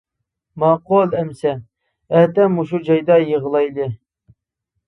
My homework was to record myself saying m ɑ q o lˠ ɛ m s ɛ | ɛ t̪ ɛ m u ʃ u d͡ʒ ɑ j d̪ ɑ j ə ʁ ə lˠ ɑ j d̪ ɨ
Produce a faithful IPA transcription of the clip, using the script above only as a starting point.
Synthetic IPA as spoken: m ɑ q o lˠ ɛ m s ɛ | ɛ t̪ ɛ m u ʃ u d͡ʒ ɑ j d̪ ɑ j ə ʁ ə lˠ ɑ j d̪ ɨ